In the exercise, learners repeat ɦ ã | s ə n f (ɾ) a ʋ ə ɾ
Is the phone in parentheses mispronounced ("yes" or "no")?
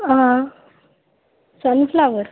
yes